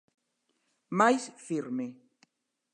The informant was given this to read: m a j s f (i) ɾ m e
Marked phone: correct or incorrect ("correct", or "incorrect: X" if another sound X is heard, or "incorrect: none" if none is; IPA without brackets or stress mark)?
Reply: correct